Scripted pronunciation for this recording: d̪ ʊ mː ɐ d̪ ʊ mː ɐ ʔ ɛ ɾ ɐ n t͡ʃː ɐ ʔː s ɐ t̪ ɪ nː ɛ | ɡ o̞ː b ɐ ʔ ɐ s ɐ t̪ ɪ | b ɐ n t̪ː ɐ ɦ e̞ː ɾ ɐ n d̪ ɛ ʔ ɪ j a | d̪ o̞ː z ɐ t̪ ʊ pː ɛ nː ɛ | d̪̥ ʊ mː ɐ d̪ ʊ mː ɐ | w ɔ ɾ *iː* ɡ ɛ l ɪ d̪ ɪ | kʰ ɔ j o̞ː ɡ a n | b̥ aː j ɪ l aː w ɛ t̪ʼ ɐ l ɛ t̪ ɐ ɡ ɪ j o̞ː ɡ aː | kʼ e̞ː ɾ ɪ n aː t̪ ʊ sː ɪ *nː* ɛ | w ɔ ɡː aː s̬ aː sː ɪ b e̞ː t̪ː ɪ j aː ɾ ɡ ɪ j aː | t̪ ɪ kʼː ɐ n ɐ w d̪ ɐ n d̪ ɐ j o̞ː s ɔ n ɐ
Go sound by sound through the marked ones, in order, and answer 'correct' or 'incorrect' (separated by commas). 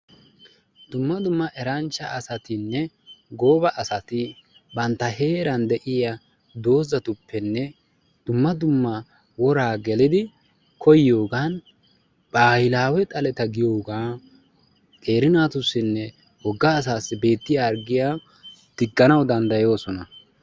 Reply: incorrect, correct